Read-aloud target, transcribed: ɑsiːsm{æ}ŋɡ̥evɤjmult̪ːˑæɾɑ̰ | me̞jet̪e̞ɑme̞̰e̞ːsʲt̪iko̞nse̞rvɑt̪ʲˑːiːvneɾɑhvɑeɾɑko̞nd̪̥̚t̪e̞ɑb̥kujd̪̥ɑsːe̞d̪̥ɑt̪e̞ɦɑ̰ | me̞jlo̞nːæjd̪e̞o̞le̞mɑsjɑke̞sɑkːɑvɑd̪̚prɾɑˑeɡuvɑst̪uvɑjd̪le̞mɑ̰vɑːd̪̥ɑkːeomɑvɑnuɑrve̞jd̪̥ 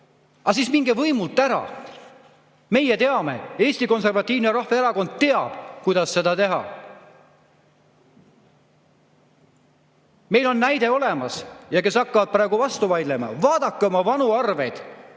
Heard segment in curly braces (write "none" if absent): i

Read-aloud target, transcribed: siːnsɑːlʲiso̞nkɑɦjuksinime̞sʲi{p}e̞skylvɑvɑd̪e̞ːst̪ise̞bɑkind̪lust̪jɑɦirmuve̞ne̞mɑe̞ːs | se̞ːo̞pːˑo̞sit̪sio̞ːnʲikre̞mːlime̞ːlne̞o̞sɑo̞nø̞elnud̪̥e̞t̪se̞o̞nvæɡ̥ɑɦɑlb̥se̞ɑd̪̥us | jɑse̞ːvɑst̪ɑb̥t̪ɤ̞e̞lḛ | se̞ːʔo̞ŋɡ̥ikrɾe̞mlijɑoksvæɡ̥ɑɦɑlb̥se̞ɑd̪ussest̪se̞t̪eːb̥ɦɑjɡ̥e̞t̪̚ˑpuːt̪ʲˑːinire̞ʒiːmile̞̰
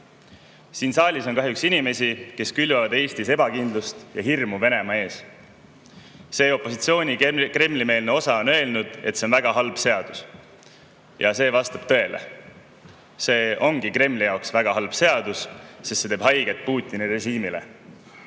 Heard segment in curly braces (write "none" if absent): k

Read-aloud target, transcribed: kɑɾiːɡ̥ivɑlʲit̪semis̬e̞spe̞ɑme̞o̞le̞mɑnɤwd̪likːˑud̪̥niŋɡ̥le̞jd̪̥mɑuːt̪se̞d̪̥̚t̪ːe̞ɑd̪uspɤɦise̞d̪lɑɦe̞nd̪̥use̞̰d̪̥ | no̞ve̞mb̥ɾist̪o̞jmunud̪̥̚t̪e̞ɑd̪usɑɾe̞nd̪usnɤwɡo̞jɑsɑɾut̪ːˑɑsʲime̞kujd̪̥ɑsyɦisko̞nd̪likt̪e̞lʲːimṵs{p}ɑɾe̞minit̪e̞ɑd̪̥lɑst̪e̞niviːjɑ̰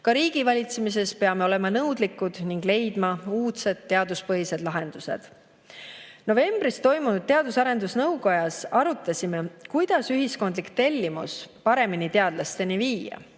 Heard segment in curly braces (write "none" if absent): p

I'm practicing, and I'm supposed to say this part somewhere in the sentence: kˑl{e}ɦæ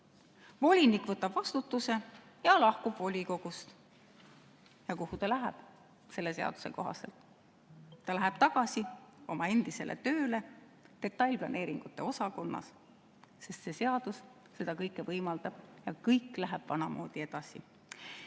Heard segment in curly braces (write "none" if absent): æ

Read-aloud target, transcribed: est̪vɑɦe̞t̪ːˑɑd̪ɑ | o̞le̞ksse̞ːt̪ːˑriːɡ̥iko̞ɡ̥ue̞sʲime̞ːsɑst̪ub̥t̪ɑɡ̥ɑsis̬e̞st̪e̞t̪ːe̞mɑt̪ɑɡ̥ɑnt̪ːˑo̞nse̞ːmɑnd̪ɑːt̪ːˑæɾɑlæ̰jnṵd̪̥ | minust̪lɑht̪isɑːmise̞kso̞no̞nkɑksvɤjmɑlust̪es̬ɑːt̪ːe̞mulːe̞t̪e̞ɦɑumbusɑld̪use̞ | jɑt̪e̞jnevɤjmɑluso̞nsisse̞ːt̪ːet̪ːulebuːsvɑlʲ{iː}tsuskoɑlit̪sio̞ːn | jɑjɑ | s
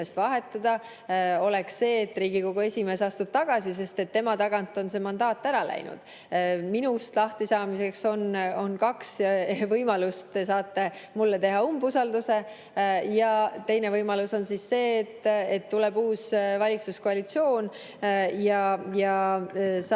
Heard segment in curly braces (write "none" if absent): i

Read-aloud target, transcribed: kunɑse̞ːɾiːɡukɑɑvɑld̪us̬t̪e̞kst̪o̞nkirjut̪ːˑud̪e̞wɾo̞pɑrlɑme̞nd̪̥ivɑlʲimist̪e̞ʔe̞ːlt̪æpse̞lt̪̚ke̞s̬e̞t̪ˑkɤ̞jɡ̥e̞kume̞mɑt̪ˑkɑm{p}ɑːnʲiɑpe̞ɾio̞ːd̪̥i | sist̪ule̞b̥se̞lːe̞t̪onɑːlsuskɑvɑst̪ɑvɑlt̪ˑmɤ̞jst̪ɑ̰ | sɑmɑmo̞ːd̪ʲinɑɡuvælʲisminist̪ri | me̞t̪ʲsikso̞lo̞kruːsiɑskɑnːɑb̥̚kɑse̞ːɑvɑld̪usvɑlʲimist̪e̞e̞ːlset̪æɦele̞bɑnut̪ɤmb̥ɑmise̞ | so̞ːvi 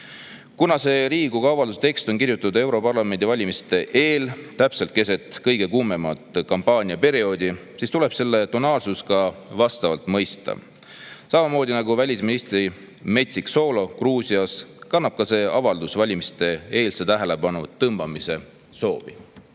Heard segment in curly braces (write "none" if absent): p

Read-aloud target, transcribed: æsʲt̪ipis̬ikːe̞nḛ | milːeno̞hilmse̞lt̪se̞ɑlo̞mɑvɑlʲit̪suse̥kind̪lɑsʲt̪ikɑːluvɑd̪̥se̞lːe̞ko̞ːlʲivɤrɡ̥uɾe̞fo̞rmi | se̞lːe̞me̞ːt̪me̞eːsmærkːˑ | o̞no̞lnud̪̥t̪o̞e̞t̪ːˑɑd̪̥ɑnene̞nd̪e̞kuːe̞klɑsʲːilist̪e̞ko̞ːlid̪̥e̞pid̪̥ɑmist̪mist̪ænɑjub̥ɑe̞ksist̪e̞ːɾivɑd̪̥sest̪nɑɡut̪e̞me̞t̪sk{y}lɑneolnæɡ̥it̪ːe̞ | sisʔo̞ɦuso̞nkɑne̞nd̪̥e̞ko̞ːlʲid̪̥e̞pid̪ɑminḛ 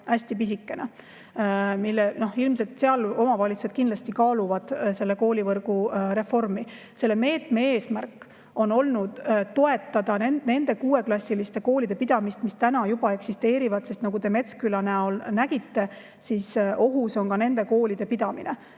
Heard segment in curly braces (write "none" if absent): y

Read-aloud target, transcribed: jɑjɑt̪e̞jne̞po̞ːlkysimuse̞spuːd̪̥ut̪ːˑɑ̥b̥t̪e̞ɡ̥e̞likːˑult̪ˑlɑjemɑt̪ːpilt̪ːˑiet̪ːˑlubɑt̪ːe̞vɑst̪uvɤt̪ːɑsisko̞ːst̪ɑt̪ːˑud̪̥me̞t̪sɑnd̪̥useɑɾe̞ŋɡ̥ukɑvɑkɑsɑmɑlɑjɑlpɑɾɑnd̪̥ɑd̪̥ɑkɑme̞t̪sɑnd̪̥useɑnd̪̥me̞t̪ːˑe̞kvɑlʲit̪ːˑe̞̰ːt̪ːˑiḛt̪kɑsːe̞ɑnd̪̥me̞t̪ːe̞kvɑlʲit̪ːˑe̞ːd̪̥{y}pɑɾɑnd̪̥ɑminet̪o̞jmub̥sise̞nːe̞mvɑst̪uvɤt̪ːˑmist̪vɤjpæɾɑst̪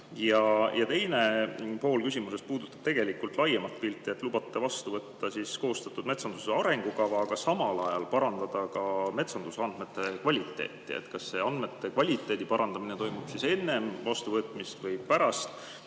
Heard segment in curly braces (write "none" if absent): i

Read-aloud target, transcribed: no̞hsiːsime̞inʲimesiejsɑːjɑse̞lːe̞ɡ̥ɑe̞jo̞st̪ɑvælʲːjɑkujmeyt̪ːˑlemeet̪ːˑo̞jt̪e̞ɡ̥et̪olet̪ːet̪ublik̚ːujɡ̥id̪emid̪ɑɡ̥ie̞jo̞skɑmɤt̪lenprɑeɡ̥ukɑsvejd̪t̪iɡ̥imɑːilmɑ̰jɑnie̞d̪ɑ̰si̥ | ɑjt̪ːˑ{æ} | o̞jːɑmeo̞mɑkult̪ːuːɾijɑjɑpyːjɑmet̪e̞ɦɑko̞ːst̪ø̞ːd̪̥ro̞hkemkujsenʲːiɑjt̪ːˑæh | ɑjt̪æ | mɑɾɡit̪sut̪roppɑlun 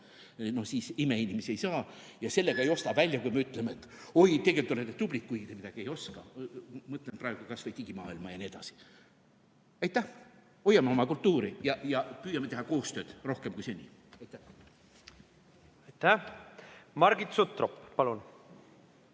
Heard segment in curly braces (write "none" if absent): æ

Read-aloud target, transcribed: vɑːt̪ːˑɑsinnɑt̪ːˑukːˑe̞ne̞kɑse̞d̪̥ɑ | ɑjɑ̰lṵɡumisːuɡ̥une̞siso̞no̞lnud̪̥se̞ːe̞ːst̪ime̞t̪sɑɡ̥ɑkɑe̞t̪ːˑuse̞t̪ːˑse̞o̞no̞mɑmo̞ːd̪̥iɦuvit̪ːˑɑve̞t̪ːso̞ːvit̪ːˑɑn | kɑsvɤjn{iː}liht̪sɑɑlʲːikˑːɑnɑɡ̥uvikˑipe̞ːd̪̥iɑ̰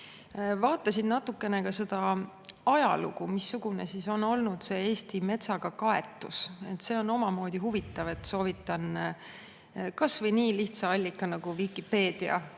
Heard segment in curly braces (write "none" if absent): iː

